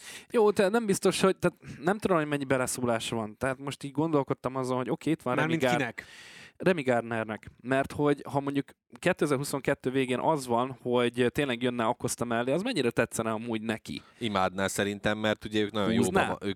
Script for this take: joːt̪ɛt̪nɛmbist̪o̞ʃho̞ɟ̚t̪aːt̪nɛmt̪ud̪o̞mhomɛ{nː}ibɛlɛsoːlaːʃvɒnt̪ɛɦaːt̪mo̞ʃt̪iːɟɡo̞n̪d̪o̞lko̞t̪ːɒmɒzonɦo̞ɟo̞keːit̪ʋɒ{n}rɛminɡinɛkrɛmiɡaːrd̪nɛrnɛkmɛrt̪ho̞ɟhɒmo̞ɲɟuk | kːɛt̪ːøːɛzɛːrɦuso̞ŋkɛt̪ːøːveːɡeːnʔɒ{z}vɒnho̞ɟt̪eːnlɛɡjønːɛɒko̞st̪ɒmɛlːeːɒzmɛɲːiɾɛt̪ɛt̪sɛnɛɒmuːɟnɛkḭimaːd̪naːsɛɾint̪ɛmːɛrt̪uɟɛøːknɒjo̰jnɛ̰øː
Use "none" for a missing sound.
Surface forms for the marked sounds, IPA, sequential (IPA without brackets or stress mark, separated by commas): ɲː, n, z